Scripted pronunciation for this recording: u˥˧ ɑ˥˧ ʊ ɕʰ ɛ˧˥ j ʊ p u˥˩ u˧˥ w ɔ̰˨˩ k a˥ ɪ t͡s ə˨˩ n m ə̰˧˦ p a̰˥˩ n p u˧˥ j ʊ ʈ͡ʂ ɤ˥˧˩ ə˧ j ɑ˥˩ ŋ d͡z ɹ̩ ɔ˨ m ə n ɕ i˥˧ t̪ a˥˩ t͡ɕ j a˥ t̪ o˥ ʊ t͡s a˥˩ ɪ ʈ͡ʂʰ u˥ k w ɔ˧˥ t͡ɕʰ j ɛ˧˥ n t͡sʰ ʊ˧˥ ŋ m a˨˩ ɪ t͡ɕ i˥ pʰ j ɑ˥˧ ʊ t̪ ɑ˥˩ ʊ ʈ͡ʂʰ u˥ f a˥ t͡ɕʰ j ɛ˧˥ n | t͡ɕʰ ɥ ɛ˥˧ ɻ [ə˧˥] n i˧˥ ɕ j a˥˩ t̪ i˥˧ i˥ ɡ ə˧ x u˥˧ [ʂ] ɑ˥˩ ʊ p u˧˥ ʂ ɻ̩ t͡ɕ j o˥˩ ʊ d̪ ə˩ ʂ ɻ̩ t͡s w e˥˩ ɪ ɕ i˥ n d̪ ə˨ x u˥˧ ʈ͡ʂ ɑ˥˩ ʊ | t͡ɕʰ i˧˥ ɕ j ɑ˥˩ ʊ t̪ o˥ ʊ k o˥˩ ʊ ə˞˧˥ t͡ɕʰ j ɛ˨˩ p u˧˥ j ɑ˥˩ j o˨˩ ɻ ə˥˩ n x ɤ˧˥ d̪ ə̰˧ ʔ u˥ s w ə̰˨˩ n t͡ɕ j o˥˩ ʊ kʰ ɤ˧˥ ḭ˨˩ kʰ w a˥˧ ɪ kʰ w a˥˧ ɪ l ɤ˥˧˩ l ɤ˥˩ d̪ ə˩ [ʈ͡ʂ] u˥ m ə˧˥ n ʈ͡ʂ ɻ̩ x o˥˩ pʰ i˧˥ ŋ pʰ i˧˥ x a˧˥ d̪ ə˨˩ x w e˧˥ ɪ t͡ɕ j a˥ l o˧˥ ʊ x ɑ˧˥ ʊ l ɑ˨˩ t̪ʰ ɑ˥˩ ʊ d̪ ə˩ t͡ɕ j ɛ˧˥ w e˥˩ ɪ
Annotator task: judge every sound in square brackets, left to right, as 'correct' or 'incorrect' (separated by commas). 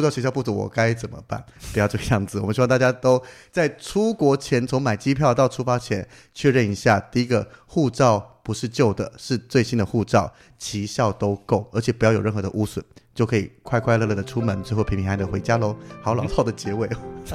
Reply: incorrect, incorrect, incorrect